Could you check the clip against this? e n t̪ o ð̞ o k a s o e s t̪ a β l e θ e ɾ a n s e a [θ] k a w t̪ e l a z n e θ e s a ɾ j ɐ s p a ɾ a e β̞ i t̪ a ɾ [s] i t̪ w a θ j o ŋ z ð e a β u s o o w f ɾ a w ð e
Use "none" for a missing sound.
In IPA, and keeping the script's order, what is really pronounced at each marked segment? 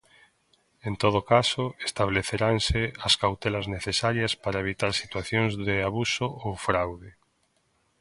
s, s

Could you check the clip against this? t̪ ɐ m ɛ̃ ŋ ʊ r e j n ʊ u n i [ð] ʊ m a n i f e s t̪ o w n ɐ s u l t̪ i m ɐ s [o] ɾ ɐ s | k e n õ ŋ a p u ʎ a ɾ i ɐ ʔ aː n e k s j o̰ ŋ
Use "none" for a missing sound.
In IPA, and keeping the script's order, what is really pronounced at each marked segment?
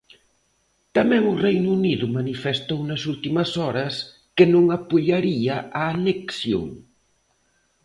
ð, ɔ

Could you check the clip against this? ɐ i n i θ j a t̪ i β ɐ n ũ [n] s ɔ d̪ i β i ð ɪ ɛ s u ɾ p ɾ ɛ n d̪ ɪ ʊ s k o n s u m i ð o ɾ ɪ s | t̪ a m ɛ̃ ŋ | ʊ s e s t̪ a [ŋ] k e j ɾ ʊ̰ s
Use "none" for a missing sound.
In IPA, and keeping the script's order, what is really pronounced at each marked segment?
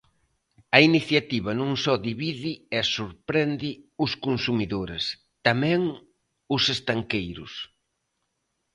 ŋ, ŋ

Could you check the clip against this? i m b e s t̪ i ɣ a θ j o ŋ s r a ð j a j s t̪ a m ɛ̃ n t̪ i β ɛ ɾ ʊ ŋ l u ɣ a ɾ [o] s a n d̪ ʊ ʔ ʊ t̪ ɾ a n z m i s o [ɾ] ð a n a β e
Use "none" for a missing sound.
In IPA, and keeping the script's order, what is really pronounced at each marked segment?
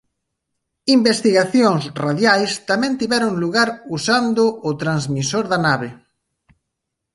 u, ɾ

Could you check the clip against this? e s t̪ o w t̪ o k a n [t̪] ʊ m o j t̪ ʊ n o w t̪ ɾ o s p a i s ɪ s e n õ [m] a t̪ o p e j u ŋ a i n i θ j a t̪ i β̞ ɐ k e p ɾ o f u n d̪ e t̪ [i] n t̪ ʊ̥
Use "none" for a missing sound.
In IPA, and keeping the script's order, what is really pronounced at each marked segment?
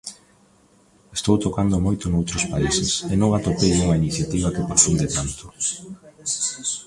d̪, ŋ, a

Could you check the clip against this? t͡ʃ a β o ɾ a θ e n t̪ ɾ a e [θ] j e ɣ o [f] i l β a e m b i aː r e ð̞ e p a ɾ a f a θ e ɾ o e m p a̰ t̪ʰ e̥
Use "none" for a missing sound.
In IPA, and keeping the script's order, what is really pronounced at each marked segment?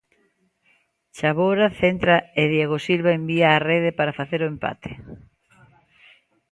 ð, s

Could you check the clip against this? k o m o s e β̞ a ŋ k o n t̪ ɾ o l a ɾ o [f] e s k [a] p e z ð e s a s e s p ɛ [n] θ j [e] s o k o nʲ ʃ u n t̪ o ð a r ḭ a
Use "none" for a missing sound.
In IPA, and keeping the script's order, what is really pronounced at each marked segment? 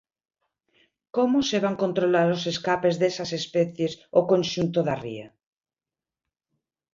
s, a, none, e

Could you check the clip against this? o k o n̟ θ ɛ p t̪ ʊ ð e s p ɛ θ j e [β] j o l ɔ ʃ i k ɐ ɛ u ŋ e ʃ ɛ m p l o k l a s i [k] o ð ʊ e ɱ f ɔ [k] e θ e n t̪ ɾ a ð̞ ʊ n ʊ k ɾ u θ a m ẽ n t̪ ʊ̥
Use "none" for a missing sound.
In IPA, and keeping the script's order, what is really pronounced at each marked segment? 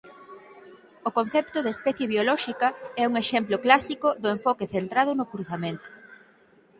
β, k, k

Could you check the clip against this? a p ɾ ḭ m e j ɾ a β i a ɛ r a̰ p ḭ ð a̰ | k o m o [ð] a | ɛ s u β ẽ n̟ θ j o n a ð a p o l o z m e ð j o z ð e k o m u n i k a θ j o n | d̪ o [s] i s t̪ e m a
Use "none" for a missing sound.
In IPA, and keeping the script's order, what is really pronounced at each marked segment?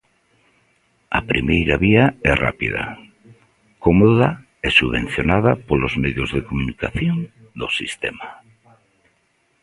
ð, s

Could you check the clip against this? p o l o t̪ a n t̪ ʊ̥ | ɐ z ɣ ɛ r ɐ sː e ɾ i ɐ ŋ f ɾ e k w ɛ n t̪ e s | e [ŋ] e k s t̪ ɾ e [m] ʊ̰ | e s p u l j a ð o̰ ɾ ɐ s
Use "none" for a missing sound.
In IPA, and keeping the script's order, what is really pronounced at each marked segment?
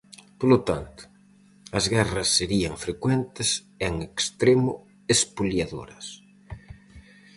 ŋ, m

